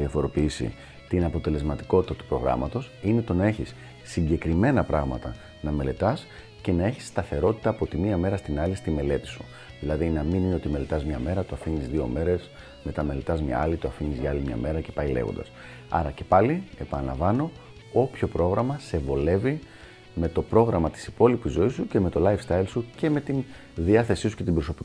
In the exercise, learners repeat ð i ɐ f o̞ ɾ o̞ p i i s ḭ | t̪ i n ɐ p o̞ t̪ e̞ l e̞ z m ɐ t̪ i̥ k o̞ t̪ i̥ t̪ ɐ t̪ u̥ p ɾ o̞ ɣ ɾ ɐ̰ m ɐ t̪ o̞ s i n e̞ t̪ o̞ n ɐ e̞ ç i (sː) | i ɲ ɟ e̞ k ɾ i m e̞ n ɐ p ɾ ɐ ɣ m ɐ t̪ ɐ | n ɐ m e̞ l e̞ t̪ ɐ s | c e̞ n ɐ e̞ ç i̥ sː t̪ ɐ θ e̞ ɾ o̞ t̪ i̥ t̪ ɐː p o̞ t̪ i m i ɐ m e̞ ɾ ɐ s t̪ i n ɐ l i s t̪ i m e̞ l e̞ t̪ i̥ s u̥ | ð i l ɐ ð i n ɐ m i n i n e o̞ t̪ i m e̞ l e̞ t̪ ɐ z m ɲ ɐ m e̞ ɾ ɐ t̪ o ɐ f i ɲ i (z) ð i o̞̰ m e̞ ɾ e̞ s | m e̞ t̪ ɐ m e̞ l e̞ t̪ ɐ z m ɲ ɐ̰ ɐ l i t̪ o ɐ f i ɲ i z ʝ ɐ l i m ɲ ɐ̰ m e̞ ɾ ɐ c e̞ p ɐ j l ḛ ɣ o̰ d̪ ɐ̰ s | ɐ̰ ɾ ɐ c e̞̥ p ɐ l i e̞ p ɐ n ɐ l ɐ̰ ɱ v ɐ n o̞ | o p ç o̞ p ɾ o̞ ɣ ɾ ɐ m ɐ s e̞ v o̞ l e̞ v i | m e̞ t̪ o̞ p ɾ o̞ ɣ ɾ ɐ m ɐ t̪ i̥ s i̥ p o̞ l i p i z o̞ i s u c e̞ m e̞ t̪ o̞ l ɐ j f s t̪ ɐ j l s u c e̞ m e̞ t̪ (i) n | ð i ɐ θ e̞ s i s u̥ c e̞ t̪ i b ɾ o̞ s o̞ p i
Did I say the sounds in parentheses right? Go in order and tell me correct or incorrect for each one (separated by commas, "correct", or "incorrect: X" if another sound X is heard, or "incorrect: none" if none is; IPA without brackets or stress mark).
correct, correct, correct